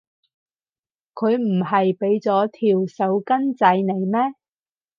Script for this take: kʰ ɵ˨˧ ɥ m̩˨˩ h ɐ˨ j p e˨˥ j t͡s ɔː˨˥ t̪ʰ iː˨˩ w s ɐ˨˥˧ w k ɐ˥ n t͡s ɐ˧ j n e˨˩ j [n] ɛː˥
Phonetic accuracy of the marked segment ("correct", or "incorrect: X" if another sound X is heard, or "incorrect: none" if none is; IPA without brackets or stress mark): incorrect: m